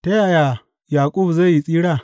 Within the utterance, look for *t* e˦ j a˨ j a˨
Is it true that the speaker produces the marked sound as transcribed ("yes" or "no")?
yes